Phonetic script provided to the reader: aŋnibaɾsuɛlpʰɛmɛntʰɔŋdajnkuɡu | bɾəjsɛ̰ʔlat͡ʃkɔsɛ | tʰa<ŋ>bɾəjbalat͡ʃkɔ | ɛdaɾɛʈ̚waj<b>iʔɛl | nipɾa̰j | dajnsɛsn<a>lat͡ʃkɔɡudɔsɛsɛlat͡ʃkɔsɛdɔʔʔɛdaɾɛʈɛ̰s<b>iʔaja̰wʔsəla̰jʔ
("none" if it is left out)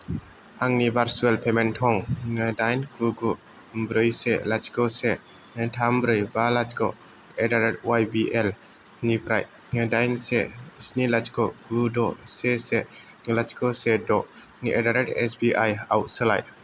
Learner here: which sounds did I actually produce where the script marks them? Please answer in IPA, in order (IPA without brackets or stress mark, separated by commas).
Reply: m, b, i, b